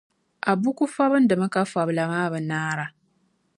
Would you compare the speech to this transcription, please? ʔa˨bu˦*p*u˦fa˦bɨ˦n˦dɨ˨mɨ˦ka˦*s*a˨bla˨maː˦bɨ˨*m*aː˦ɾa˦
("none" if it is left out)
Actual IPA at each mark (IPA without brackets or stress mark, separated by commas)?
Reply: k, f, n